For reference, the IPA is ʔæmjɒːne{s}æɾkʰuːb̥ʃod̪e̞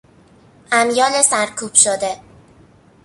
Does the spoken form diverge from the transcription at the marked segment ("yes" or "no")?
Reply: no